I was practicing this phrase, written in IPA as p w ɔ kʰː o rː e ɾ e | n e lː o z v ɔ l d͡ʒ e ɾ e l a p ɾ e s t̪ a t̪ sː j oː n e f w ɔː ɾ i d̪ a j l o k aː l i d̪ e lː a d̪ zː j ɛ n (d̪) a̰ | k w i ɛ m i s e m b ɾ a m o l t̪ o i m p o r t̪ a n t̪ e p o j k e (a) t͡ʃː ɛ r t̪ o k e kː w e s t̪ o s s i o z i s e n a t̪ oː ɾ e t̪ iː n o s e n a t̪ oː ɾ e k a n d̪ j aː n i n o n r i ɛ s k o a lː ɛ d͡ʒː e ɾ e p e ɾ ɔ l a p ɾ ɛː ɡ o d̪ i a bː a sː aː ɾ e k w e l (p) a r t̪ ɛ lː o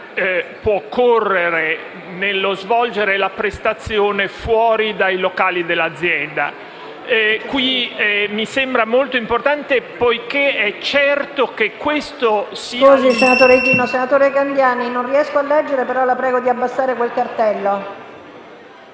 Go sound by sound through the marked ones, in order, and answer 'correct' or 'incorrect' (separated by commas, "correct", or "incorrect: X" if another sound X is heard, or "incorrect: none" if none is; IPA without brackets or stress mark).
correct, incorrect: ɛ, incorrect: k